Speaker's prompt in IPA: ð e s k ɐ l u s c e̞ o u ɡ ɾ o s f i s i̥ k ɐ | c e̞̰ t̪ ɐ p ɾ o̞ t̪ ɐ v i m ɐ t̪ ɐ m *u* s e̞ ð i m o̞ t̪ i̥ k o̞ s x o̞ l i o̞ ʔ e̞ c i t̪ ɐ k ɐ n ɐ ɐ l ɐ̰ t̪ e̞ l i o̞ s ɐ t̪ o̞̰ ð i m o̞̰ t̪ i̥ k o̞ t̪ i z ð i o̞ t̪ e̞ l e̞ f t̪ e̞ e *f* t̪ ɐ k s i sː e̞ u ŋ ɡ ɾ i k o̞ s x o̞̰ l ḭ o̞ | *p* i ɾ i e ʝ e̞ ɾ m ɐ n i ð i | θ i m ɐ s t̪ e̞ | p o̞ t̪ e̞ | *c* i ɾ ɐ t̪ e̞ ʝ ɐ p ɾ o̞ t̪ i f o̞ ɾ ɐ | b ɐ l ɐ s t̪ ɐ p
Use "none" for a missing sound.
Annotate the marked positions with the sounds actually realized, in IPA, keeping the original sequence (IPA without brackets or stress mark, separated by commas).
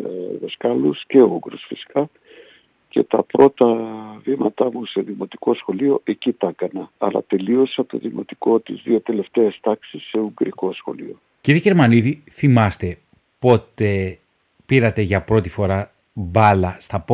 u, s, c, p